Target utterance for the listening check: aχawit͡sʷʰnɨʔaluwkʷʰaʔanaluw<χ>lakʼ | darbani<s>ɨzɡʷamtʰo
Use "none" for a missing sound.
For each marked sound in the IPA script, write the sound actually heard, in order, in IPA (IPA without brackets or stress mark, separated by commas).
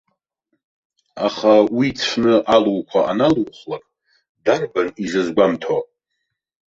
χ, z